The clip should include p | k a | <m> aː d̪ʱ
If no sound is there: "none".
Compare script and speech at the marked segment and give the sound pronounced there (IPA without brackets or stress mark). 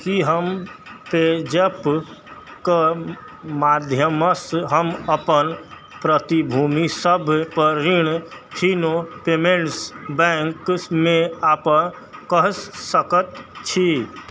m